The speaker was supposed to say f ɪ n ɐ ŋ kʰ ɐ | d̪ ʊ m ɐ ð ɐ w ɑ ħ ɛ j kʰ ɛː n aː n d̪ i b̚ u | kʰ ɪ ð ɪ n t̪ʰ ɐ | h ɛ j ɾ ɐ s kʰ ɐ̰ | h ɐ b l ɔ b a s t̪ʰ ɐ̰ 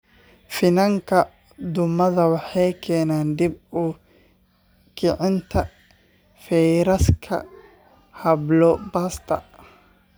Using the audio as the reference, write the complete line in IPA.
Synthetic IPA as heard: f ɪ n ɐ ŋ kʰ ɐ | d̪ ʊ m ɐ ð ɐ w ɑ ħ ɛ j kʰ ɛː n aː n d̪ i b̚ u | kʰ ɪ ʕ ɪ n t̪ʰ ɐ | f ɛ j ɾ ɐ s kʰ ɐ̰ | h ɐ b l ɔ b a s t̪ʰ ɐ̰